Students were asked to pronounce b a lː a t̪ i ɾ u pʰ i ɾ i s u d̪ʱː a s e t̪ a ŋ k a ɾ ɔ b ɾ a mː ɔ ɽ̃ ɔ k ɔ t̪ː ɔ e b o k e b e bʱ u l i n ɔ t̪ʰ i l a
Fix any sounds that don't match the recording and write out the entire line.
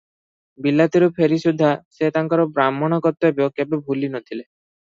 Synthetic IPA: b i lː a t̪ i ɾ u pʰ e ɾ i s u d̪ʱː a s e t̪ a ŋ k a ɾ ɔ b ɾ a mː ɔ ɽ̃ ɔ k ɔ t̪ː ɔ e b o k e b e bʱ u l i n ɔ t̪ʰ i l e